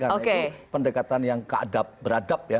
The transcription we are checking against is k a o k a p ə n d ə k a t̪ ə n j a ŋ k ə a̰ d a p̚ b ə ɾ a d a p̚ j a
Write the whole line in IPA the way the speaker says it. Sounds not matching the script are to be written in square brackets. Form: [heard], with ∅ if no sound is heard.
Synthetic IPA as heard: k a o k [e] p ə n d ə k a t̪ [a] n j a ŋ k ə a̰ d a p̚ b ə ɾ a d a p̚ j a

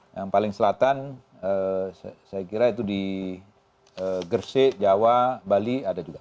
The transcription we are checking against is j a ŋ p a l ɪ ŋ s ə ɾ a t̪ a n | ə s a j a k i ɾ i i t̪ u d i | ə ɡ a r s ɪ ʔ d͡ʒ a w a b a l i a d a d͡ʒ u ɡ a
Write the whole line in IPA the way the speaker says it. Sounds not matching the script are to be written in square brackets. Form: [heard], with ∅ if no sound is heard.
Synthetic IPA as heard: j a ŋ p a l ɪ ŋ s ə [l] a t̪ a n | ə s a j a k i ɾ [a] i t̪ u d i | ə ɡ [ə] r s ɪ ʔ d͡ʒ a w a b a l i a d a d͡ʒ u ɡ a

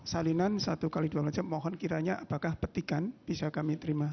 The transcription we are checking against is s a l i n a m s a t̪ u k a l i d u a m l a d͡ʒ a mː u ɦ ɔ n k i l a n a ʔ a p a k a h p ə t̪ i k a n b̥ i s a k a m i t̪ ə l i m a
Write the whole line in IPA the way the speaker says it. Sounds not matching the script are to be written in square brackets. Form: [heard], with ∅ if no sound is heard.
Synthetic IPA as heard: s a l i n a [n] s a t̪ u k a l i d u a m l a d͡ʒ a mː [ɔ] ɦ ɔ n k i [ɾ] a [ɲ] a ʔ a p a k a h p ə t̪ i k a n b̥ i s a k a m i t̪ ə [ɾ] i m a

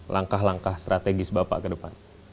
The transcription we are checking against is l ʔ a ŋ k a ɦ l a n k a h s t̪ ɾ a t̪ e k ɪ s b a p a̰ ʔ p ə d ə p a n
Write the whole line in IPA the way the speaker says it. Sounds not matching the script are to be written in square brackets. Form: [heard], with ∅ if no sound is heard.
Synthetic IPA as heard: l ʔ a ŋ k a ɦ l a [ŋ] k a h s t̪ ɾ a t̪ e [ɡ] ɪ s b a p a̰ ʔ [k] ə d ə p a n

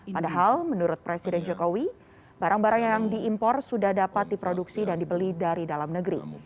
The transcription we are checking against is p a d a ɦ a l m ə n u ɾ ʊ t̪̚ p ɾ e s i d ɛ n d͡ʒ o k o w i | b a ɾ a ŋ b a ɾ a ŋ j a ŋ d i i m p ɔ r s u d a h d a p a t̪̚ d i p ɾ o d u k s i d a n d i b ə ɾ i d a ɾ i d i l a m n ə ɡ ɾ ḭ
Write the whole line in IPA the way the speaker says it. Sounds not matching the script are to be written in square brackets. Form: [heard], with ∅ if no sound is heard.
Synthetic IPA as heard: p a d a ɦ a l m ə n u ɾ ʊ t̪̚ p ɾ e s i d ɛ n d͡ʒ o k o w i | b a ɾ a ŋ b a ɾ a ŋ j a ŋ d i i m p ɔ r s u d a h d a p a t̪̚ d i p ɾ o d u k s i d a n d i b ə [l] i d a ɾ i d [a] l a m n ə ɡ ɾ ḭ

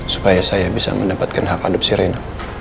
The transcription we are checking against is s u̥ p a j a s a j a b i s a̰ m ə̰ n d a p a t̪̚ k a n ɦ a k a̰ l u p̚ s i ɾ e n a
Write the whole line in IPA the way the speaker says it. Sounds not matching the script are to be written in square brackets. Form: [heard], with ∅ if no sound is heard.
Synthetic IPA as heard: s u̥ p a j a s a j a b i s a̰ m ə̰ n d a p a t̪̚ k a n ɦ a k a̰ l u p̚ s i ɾ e n a

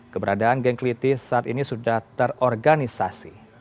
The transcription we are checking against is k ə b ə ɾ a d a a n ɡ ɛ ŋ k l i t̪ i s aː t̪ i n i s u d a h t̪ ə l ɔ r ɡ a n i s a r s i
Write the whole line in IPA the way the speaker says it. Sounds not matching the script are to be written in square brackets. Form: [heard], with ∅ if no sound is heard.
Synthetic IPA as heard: k ə b ə ɾ a d a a n ɡ ɛ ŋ k l i t̪ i s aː t̪ i n i s u d a h t̪ ə [r] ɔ r ɡ a n i s a [∅] s i

